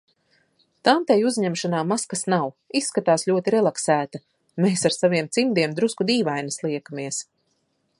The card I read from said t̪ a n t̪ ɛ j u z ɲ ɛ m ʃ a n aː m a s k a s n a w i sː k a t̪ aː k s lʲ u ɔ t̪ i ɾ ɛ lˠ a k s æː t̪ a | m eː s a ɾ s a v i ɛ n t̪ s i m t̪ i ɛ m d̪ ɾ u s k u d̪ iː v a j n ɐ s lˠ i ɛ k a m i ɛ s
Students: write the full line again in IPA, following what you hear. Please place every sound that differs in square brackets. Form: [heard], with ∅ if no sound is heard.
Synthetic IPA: t̪ a n t̪ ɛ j u z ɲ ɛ m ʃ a n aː m a s k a s n a w i sː k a t̪ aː [∅] s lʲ u ɔ t̪ i ɾ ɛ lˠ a k s æː t̪ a | m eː s a ɾ s a v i ɛ [m] t̪ s i m [d̪] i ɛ m d̪ ɾ u s k u d̪ iː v a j n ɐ s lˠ i ɛ k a m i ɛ s